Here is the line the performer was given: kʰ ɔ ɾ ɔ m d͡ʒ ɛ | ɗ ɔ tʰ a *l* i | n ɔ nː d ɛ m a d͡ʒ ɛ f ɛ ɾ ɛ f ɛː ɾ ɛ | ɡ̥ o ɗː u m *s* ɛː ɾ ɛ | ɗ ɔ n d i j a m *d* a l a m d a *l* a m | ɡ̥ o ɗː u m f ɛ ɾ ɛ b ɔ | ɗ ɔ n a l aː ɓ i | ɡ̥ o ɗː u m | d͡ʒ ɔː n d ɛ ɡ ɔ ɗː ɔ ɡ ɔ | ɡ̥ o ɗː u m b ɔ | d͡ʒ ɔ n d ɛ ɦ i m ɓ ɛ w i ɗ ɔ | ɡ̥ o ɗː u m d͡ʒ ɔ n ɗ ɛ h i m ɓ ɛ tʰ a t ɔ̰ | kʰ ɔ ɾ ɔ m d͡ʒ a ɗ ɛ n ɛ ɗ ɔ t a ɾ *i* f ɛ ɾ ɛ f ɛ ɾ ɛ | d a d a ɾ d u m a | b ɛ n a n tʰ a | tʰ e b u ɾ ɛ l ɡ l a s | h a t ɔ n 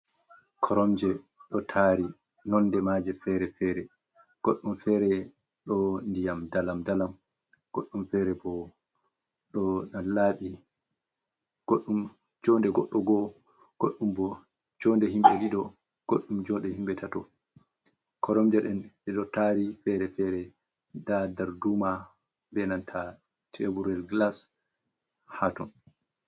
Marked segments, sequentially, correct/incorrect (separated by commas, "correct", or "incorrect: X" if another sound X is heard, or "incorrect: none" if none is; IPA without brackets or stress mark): incorrect: ɾ, incorrect: f, correct, correct, correct